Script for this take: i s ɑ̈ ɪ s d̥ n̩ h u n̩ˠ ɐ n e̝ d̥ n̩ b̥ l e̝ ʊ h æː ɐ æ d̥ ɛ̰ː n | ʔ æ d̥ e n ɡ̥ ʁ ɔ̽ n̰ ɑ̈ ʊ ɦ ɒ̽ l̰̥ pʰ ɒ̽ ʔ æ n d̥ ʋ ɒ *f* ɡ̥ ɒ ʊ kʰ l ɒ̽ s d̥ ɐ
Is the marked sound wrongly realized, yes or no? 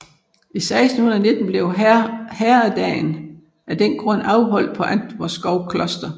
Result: yes